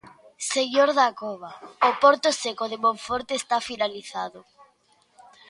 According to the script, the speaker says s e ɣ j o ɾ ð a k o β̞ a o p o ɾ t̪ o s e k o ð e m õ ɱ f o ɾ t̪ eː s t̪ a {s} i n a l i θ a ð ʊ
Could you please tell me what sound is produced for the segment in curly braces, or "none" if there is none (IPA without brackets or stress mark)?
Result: f